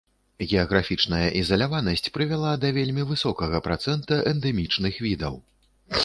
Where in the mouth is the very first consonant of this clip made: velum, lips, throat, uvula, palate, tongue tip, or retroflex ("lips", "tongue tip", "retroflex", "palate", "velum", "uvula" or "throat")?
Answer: velum